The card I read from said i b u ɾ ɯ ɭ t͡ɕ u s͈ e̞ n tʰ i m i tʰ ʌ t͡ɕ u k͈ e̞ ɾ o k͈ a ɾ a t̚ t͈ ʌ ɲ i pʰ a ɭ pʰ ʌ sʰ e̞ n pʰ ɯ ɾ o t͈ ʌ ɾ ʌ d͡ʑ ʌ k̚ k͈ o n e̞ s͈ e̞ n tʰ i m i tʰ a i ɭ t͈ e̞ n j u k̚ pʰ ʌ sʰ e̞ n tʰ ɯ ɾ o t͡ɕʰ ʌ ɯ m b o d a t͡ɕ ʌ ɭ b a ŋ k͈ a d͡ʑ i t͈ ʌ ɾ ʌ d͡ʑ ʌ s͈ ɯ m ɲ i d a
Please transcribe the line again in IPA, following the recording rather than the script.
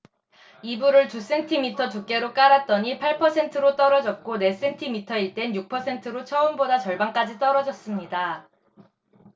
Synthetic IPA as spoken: i b u ɾ ɯ ɭ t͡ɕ u s͈ e̞ n tʰ i m i tʰ ʌ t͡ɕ u k͈ e̞ ɾ o k͈ a ɾ a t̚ t͈ ʌ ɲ i pʰ a ɭ pʰ ʌ sʰ e̞ n tʰ ɯ ɾ o t͈ ʌ ɾ ʌ d͡ʑ ʌ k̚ k͈ o n e̞ s͈ e̞ n tʰ i m i tʰ ʌ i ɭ t͈ e̞ n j u k̚ pʰ ʌ sʰ e̞ n tʰ ɯ ɾ o t͡ɕʰ ʌ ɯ m b o d a t͡ɕ ʌ ɭ b a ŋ k͈ a d͡ʑ i t͈ ʌ ɾ ʌ d͡ʑ ʌ s͈ ɯ m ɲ i d a